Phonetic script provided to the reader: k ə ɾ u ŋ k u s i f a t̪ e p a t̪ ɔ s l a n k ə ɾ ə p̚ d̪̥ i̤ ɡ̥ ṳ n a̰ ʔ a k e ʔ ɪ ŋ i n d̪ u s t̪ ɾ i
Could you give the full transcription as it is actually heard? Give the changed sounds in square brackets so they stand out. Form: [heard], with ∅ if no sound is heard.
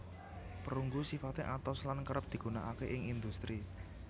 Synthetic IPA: [p] ə ɾ u ŋ [ɡ] u s i f a t̪ e [ʔ] a t̪ ɔ s l a n k ə ɾ ə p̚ d̪̥ i̤ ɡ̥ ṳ n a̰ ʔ a k e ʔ ɪ ŋ i n d̪ u s t̪ ɾ i

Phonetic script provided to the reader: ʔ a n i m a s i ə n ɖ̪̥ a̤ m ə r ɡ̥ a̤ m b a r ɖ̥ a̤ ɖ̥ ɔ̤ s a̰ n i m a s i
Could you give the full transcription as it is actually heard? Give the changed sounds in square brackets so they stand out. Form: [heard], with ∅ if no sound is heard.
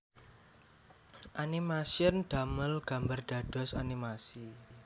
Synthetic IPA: ʔ a n i m a s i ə n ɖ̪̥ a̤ m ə [l] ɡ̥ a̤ m b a r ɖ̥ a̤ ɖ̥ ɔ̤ s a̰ n i m a s i

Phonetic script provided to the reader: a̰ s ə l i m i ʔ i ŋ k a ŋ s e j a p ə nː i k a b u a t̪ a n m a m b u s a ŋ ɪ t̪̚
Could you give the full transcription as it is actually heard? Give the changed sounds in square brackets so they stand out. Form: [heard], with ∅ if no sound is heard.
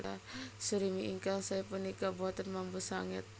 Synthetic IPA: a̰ s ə [ɾ] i m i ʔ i ŋ k a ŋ s [a] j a p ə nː i k a b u a t̪ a n m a m b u s a ŋ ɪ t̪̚

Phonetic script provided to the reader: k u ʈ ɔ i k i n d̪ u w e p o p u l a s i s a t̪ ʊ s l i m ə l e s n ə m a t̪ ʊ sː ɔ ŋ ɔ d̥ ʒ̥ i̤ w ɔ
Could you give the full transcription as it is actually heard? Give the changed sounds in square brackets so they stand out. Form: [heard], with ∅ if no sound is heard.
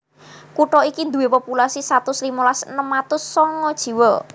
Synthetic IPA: k u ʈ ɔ i k i n d̪ u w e p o p u l a s i s a t̪ ʊ s l i m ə l [a] s n ə m a t̪ ʊ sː ɔ ŋ ɔ d̥ ʒ̥ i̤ w ɔ

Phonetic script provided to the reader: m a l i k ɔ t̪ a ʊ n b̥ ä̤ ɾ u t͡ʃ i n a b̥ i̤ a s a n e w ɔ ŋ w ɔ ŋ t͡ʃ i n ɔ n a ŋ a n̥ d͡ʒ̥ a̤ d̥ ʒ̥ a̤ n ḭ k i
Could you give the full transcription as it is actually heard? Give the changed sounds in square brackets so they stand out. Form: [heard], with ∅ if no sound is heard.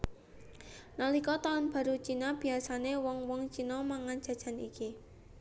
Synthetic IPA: [n] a l i k ɔ t̪ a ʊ n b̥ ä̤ ɾ u t͡ʃ i n a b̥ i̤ a s a n e w ɔ ŋ w ɔ ŋ t͡ʃ i n ɔ [m] a ŋ a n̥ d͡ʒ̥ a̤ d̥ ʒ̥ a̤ n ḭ k i

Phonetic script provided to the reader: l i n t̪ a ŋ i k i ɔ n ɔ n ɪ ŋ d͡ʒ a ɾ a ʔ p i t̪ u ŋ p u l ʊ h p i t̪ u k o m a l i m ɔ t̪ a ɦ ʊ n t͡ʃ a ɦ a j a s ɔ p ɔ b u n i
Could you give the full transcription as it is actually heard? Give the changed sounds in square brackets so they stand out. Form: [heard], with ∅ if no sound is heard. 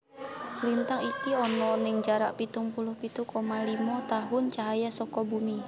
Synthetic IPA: l i n t̪ a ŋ i k i ɔ n ɔ n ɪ ŋ d͡ʒ a ɾ a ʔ p i t̪ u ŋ p u l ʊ h p i t̪ u k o m a l i m ɔ t̪ a ɦ ʊ n t͡ʃ a ɦ a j a s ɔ [k] ɔ b u [m] i

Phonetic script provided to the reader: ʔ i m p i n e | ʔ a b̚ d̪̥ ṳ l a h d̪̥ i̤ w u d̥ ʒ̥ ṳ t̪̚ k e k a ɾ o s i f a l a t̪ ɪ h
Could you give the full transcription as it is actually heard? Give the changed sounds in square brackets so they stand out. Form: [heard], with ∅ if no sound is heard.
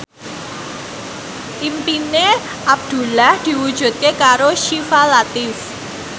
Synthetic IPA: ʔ i m p i n e | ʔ a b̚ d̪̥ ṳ l a h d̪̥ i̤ w u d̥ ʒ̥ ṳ t̪̚ k e k a ɾ o [ʃ] i f a l a t̪ ɪ [f]

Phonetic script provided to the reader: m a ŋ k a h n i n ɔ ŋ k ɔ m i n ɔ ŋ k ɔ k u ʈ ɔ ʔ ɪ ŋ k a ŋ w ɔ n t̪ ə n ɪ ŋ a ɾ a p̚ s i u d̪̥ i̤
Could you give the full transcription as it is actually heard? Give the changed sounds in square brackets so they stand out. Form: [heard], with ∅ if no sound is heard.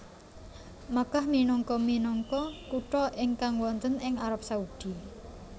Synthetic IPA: m a [∅] k a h [m] i n ɔ ŋ k ɔ m i n ɔ ŋ k ɔ k u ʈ ɔ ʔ ɪ ŋ k a ŋ w ɔ n t̪ ə n ɪ ŋ a ɾ a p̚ s [a] u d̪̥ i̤

